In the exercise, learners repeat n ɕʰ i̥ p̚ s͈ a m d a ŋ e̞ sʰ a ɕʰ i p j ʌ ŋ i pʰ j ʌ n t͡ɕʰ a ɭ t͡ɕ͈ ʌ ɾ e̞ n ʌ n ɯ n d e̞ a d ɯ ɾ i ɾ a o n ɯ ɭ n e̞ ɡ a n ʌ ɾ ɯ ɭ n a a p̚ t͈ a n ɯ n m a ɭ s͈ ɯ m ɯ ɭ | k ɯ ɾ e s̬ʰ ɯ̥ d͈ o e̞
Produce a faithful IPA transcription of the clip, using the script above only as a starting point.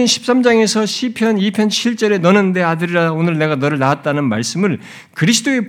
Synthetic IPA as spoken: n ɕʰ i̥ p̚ s͈ a m d͡ʑ a ŋ e̞ sʰ ʌ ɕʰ i pʰ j ʌ n i pʰ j ʌ n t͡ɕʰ i ɭ t͡ɕ͈ ʌ ɾ e̞ n ʌ n ɯ n d e̞ a d ɯ ɾ i ɾ a o n ɯ ɭ n e̞ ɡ a n ʌ ɾ ɯ ɭ n a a t̚ t͈ a n ɯ n m a ɭ s͈ ɯ m ɯ ɭ | k ɯ ɾ i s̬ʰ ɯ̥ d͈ o e̞